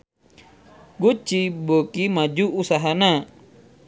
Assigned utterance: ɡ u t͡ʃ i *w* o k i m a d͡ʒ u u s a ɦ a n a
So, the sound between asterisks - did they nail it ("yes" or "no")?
no